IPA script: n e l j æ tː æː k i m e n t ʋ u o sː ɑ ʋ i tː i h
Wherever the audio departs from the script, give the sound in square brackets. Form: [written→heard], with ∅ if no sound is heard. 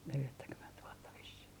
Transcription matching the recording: n e l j æ tː [æː→æ] k [i→y] m e n t ʋ u o [sː→tː] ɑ ʋ i [tː→sː] i h

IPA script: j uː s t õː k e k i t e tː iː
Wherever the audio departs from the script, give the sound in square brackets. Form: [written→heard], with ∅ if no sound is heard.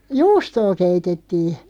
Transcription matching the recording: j uː s t [õː→oː] k e [k→∅] i t e tː iː

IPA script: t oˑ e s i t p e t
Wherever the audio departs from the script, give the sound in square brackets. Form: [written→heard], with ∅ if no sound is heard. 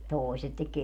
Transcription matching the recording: t oˑ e s [i→e] t [p→t] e [t→k]

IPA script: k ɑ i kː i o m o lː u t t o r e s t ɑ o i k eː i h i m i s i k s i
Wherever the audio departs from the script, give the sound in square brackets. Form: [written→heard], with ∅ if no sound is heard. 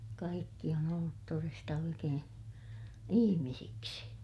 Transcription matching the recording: k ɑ i kː i o [m→n] o lː u t t o r e s t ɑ o i k eː i h i m i s i k s i

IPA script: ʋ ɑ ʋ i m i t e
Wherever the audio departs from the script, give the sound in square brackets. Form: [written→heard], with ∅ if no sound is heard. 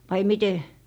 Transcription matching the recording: ʋ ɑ [ʋ→∅] i m i t e

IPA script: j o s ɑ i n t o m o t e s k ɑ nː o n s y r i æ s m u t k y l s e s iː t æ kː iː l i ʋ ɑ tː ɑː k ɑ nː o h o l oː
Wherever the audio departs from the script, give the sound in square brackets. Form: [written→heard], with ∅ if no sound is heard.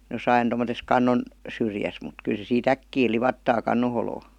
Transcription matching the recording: j o s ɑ i n t o m o t e s k ɑ nː o n s y r [i→j] æ s m u t k y l s e s iː t æ kː iː l i ʋ ɑ tː ɑː k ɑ nː o h o l oː

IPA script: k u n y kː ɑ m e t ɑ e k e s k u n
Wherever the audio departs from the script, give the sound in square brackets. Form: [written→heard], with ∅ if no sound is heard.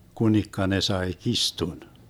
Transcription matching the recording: k u n [y→i] kː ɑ [m→n] e [t→s] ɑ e k [e→i] s [k→t] u n

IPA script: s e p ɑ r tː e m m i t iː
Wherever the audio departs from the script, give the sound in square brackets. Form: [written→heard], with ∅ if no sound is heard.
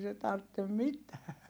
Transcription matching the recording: s e [p→t] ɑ r tː e m m i t [iː→æː]

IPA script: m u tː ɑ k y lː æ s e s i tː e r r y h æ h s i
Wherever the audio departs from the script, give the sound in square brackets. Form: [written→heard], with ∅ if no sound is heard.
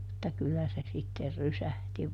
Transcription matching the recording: m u tː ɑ k y lː æ s e s i tː e r r y [h→s] æ h [s→t] i

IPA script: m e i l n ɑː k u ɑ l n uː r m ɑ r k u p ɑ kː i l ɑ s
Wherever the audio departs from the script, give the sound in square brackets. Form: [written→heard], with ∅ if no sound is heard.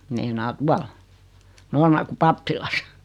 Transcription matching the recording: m e i [l→∅] n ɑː [k→t] u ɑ l n [uː→oː] r m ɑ r k u p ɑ [kː→pː] i l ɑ s

